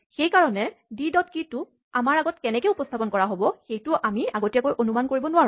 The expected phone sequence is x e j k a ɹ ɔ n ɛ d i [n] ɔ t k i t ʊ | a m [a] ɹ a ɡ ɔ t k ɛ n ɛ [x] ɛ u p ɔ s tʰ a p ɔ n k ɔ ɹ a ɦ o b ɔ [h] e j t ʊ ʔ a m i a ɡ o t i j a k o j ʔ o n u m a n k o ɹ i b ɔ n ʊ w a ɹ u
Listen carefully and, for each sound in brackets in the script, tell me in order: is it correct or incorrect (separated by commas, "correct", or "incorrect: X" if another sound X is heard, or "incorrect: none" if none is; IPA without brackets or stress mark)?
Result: incorrect: d, correct, incorrect: k, incorrect: x